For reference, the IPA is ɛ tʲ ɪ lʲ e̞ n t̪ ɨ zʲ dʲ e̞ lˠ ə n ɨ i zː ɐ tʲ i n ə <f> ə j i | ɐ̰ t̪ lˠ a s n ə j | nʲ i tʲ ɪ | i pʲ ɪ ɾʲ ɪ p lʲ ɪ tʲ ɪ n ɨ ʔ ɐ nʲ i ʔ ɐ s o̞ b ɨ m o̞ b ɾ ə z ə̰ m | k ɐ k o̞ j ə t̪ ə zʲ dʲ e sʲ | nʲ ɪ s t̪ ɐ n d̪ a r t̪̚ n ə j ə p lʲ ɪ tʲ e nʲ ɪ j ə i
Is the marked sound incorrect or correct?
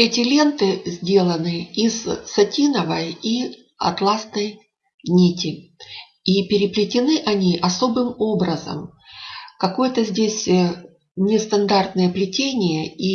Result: incorrect